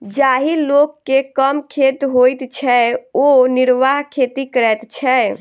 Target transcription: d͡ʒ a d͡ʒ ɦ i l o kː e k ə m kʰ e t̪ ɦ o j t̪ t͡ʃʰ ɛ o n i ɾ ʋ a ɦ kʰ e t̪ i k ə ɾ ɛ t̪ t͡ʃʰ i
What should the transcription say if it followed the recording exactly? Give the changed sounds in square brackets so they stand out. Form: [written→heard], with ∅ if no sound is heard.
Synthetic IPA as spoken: d͡ʒ a [d͡ʒ→∅] ɦ i l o kː e k ə m kʰ e t̪ ɦ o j t̪ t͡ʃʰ ɛ o n i ɾ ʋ a ɦ kʰ e t̪ i k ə ɾ ɛ t̪ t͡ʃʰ [i→ɛ]